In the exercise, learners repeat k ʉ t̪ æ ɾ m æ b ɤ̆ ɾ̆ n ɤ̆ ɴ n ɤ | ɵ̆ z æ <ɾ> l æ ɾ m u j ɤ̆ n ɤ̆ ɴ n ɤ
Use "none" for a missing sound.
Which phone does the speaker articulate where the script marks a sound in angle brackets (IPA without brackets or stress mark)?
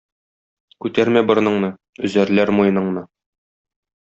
ɾ